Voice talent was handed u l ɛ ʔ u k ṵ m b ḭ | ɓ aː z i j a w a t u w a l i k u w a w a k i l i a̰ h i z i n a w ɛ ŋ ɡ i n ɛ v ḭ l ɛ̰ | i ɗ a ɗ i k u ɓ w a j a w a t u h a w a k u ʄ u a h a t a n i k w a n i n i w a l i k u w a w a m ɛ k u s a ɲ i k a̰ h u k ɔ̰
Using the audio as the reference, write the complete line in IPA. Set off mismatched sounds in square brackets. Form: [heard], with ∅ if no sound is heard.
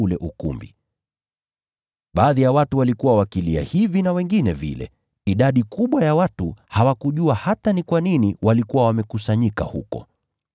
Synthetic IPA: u l ɛ ʔ u k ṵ m b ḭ | ɓ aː [ð] i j a w a t u w a l i k u w a w a k i l i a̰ h i [v] i n a w ɛ ŋ ɡ i n ɛ v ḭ l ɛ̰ | i ɗ a ɗ i k u ɓ w a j a w a t u h a w a k u ʄ u a h a t a n i k w a n i n i w a l i k u w a w a m ɛ k u s a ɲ i k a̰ h u k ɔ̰